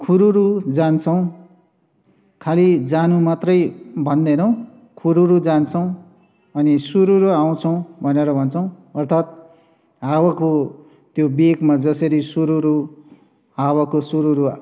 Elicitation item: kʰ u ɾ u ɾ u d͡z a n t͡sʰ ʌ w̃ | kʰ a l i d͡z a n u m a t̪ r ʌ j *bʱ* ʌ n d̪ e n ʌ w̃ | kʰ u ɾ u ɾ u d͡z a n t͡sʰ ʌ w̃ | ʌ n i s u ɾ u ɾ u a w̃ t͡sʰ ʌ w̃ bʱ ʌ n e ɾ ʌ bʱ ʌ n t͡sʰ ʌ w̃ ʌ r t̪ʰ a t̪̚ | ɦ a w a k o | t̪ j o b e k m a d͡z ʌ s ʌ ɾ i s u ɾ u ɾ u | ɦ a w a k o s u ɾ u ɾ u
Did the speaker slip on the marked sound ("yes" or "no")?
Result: no